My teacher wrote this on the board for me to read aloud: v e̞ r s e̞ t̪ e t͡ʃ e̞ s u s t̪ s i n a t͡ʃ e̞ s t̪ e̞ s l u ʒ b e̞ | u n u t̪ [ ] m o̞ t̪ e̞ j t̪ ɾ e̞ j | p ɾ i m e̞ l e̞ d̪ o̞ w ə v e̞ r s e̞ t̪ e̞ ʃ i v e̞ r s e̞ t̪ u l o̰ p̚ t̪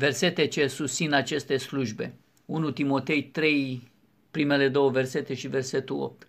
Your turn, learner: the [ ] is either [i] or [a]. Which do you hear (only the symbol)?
i